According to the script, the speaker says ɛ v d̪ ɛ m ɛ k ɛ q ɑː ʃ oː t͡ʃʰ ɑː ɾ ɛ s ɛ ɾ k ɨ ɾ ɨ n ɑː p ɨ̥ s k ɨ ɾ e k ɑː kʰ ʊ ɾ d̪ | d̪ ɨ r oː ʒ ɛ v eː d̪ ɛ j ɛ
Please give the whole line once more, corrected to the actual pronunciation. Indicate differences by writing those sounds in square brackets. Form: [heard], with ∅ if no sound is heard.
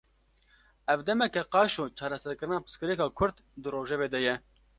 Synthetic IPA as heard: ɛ v d̪ ɛ m ɛ k ɛ q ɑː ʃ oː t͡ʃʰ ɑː ɾ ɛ s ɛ ɾ k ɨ ɾ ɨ n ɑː p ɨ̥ s k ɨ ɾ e k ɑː kʰ ʊ ɾ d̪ | d̪ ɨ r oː ʒ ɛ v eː d̪ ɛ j ɛ